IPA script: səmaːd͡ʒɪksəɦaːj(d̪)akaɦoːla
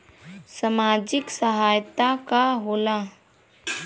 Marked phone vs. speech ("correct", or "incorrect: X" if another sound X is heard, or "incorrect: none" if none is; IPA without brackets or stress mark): incorrect: t̪